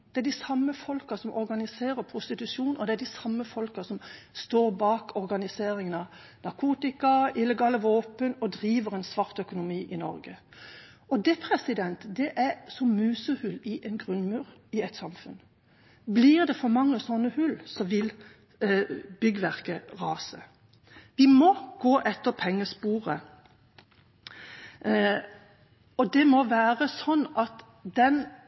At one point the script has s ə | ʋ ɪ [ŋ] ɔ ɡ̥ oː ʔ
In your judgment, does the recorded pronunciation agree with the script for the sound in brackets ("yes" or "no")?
no